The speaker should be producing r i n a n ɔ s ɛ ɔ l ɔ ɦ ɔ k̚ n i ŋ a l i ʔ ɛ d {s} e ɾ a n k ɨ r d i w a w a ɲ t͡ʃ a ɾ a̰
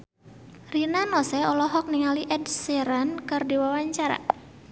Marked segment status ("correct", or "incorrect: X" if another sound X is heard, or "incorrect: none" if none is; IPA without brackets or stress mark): correct